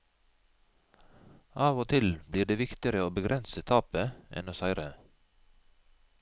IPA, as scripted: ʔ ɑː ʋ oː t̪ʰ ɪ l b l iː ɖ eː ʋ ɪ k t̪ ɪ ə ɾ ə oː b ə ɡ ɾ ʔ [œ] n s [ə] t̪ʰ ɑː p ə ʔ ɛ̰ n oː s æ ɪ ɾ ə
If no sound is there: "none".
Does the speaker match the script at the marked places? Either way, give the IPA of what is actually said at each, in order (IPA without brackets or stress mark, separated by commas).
ɛ, ə